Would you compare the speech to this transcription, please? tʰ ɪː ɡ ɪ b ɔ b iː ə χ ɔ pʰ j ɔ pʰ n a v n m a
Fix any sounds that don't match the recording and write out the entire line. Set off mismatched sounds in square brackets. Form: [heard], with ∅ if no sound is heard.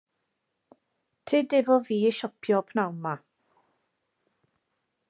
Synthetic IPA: tʰ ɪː [d] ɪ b ɔ [v] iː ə [ʃ] ɔ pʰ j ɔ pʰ n a [w] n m a